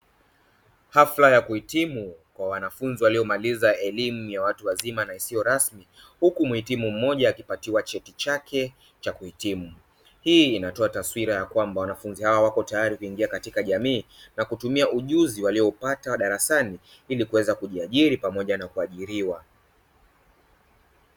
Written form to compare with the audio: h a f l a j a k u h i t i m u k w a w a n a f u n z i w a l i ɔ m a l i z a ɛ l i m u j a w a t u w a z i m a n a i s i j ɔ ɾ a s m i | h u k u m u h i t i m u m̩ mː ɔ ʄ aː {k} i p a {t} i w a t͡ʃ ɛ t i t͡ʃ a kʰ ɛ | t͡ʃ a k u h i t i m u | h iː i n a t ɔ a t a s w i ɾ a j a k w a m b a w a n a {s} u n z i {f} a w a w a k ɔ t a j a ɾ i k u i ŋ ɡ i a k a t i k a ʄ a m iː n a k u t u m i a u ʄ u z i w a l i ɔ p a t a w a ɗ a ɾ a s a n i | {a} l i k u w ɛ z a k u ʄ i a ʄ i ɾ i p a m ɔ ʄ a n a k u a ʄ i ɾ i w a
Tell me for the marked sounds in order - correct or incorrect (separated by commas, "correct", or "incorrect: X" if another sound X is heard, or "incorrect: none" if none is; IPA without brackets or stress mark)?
correct, correct, incorrect: f, incorrect: h, incorrect: i